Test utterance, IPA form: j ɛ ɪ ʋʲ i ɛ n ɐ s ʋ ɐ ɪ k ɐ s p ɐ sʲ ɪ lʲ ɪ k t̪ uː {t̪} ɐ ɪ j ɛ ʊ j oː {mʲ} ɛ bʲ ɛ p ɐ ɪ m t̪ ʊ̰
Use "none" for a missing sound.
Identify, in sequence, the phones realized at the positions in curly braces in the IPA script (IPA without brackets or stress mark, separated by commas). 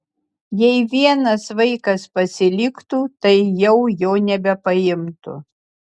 t̪, nʲ